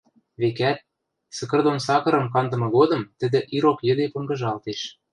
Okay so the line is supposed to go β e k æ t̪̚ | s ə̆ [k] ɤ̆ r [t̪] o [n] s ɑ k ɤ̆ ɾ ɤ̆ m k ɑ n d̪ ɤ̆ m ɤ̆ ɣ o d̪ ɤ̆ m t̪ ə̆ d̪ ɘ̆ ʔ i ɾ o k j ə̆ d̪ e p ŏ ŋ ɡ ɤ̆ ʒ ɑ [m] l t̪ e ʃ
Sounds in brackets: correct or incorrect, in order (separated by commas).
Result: correct, incorrect, correct, incorrect